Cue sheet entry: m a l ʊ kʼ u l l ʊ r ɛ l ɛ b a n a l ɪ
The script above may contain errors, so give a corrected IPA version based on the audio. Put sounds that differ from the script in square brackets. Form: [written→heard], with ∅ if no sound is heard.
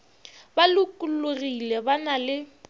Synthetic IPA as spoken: [m→b] a l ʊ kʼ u l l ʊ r [ɛ→i] l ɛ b a n a l ɪ